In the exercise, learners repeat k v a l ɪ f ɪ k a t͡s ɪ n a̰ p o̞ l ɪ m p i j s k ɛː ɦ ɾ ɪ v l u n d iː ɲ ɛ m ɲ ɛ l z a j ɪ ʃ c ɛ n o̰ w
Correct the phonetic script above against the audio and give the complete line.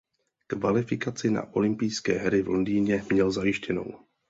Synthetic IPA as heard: k v a l ɪ f ɪ k a t͡s ɪ n a̰ ʔ o̞ l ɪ m p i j s k ɛː ɦ ɾ ɪ v l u n d iː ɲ ɛ m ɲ ɛ l z a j ɪ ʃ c ɛ n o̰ w